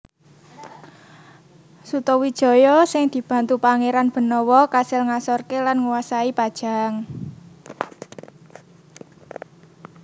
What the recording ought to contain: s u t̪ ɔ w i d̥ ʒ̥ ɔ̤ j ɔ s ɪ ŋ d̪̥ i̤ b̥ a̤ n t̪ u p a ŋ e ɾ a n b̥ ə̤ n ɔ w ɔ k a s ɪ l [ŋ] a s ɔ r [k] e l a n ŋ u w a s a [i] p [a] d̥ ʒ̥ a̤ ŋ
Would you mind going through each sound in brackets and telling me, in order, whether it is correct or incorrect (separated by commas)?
correct, correct, correct, correct